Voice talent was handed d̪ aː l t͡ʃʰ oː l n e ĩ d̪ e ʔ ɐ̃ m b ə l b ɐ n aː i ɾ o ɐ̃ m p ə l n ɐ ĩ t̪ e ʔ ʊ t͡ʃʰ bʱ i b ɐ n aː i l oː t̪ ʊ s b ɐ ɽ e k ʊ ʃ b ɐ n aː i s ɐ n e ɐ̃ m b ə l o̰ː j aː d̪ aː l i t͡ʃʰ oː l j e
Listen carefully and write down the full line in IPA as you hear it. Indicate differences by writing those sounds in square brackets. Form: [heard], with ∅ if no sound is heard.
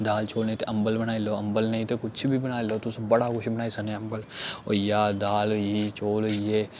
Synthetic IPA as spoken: d̪ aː l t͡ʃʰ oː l n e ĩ [t̪] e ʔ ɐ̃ m b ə l b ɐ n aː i [l] o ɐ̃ m [b] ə l n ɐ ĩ t̪ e [k] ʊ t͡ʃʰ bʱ i b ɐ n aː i l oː t̪ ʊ s b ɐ ɽ [a] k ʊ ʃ b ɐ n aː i s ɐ n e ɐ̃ m b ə l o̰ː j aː d̪ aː l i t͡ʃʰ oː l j e